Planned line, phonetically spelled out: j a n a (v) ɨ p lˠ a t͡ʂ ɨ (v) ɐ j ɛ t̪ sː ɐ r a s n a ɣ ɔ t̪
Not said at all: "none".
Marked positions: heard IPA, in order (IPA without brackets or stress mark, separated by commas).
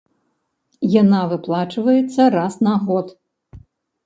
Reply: v, v